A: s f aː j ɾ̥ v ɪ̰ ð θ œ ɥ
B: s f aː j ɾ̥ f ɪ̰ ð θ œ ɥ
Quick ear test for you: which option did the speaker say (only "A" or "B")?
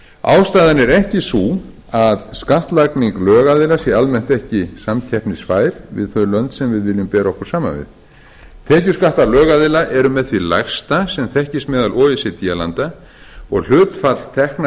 A